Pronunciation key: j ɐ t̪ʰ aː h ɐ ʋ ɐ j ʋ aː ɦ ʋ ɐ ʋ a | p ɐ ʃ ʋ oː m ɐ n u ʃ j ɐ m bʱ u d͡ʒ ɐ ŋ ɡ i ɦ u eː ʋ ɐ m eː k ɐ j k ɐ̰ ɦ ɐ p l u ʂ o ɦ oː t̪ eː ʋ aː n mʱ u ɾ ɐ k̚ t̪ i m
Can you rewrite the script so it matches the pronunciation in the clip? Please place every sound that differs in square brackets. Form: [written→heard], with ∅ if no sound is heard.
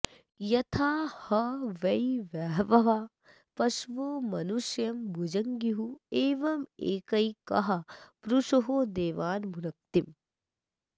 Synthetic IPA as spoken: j ɐ t̪ʰ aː h ɐ ʋ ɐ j ʋ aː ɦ ʋ ɐ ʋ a | p ɐ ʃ ʋ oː m ɐ n u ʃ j ɐ m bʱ u d͡ʒ ɐ ŋ ɡ i ɦ u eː ʋ ɐ m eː k ɐ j k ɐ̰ ɦ ɐ p [l→ɾ] u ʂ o ɦ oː [t̪→d̪] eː ʋ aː n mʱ u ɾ ɐ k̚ t̪ i m